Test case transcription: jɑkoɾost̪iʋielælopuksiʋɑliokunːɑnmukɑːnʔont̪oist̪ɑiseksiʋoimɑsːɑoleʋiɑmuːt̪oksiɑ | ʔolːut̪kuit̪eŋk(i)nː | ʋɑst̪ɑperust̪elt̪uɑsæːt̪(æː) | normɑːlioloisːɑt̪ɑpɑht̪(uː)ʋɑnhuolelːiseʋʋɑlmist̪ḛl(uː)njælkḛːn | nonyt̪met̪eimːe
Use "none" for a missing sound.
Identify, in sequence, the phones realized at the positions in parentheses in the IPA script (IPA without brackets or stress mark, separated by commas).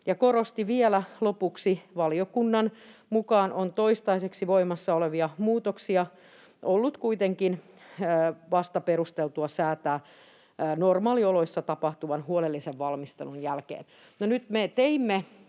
i, æː, u, u